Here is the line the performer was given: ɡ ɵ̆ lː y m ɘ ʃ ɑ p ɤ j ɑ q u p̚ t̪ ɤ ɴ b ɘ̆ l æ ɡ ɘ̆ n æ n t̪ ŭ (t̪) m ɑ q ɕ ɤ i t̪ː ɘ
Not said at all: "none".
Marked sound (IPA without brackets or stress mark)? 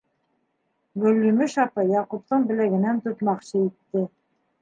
t̪